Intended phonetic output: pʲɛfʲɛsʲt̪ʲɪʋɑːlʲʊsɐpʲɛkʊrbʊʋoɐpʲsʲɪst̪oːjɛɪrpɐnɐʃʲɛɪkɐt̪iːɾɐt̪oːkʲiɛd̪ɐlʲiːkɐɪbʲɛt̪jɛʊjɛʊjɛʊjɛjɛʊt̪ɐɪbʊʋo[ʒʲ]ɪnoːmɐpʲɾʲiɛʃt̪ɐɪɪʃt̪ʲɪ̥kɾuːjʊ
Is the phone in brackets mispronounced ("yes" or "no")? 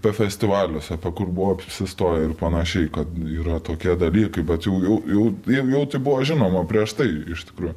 no